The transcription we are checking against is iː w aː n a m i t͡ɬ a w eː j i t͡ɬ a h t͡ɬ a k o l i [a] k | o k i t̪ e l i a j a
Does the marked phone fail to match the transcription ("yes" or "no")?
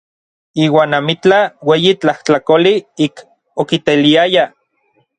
yes